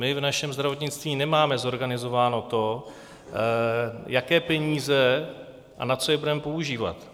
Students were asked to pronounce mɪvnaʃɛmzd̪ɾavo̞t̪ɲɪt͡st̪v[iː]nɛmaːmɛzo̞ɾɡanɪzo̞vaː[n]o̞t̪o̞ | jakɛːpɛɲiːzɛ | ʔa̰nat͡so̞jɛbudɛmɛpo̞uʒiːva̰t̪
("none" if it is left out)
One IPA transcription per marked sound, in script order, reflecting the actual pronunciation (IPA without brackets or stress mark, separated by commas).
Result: iː, n